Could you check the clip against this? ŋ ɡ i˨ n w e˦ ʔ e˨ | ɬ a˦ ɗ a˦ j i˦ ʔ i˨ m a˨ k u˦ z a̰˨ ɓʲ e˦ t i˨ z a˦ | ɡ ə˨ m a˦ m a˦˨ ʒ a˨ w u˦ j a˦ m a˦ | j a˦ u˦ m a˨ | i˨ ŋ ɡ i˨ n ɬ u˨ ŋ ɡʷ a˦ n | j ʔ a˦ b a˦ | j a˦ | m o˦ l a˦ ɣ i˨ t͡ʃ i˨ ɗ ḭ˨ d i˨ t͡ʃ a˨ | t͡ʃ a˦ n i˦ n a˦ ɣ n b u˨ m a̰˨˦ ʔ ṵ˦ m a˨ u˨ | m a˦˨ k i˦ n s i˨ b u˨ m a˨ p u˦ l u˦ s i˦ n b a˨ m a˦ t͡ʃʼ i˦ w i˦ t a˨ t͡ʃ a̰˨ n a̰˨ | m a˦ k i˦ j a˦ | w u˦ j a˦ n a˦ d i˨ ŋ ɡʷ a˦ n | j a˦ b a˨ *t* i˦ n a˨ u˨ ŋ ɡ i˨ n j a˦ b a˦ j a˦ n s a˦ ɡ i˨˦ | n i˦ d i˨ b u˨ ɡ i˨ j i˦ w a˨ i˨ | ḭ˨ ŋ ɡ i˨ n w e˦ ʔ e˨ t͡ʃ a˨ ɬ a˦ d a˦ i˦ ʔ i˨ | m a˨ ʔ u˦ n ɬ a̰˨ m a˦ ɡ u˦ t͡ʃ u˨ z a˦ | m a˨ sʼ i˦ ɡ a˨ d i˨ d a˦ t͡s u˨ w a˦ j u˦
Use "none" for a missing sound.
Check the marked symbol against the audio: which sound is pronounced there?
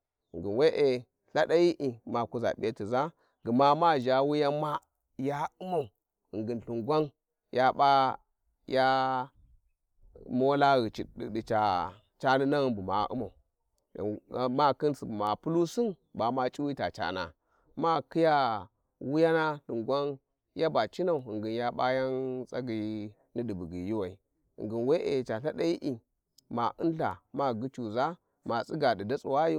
t͡ʃ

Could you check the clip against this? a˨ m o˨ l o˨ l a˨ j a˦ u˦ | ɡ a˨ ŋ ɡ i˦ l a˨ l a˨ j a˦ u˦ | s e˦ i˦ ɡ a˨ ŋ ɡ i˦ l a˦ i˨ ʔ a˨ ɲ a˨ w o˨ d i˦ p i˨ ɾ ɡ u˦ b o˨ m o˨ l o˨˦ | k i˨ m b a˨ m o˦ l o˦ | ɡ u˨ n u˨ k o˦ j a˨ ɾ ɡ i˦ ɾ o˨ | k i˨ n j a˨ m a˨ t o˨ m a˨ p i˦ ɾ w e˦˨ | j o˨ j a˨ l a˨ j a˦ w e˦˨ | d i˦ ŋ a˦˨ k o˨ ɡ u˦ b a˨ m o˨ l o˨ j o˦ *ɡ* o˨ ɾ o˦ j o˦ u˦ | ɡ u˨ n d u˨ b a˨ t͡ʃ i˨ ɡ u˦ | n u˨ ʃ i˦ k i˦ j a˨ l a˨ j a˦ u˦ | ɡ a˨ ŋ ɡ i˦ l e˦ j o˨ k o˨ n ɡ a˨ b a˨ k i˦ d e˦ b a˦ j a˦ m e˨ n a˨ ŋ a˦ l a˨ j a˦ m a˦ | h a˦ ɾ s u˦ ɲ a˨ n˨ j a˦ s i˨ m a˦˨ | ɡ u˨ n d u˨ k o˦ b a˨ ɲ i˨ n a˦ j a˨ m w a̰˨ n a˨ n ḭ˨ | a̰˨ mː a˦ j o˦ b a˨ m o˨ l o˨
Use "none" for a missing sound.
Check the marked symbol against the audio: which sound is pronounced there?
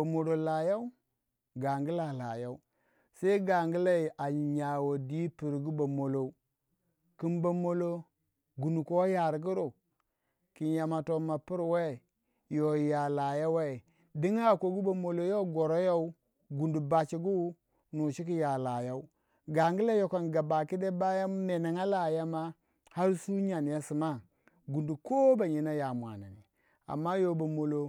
ɡ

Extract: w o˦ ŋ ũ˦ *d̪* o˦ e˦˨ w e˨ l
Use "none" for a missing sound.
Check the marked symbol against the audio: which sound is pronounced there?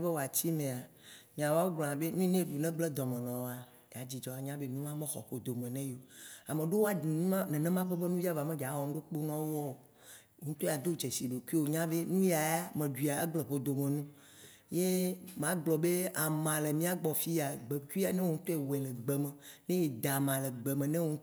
t̪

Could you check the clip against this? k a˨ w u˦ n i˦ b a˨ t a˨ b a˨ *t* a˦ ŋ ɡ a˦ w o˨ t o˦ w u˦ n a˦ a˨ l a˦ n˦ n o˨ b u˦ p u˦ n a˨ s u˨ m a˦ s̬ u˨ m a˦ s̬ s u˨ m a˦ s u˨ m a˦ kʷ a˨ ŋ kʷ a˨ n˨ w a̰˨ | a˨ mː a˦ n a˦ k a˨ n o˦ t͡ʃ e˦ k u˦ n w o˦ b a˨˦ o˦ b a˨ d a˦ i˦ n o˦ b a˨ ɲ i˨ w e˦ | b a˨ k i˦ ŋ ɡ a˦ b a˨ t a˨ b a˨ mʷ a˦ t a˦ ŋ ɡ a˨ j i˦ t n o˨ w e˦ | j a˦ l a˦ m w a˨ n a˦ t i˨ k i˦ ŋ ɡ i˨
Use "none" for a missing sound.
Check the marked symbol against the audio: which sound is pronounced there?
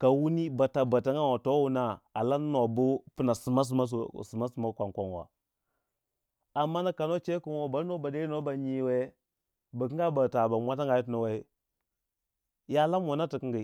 t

